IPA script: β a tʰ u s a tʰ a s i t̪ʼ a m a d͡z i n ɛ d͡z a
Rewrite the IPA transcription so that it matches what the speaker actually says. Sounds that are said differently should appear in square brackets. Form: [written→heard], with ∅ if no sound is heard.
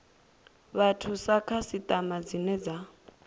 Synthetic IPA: β a tʰ u s a [tʰ→kʰ] a s i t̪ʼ a m a d͡z i n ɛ d͡z a